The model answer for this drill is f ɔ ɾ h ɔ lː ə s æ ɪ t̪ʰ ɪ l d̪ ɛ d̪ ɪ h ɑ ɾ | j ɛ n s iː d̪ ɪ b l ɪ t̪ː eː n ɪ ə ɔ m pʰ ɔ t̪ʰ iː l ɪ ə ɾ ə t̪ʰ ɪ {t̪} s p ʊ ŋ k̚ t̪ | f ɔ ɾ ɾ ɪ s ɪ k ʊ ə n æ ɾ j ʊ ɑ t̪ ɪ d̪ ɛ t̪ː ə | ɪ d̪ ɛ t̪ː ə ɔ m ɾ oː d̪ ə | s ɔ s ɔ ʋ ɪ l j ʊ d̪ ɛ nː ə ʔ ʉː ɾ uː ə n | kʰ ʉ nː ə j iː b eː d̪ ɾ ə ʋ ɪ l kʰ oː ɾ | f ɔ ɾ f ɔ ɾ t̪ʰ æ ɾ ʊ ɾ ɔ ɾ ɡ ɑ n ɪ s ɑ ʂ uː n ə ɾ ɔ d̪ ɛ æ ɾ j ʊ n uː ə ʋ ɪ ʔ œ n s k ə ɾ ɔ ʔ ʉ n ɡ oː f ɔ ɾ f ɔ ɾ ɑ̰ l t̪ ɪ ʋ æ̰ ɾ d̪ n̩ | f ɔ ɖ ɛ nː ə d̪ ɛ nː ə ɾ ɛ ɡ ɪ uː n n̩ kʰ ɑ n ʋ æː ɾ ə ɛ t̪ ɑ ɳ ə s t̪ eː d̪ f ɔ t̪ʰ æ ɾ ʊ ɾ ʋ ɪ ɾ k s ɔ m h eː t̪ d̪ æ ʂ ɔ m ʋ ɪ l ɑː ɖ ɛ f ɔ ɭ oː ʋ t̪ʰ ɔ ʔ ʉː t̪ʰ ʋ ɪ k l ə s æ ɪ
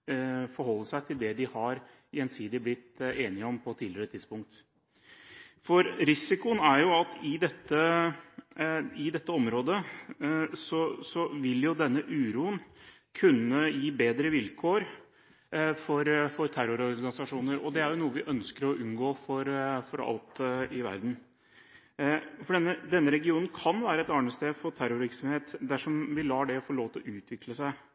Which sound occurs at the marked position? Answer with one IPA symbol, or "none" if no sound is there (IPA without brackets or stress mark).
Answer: d̪